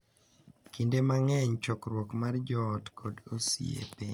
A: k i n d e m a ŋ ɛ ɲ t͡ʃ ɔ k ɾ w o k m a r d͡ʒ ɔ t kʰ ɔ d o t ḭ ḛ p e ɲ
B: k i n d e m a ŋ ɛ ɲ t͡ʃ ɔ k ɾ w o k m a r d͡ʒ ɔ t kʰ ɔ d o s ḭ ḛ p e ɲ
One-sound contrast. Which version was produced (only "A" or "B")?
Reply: B